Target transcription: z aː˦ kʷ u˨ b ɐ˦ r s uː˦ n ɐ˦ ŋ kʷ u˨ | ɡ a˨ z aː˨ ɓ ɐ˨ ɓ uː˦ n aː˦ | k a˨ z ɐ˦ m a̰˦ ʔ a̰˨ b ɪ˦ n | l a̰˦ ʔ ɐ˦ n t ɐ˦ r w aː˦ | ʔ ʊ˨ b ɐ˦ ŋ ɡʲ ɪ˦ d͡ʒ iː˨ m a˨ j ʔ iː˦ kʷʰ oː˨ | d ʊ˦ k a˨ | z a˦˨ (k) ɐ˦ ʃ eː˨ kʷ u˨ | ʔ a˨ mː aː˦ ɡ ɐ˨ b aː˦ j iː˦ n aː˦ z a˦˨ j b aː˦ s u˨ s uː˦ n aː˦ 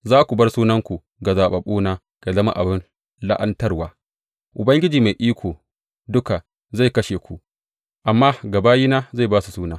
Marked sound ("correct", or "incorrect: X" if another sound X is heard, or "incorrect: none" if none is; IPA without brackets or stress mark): correct